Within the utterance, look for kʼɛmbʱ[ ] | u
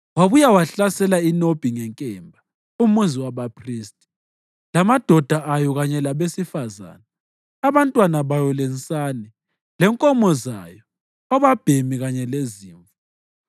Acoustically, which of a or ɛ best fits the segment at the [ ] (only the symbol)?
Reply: a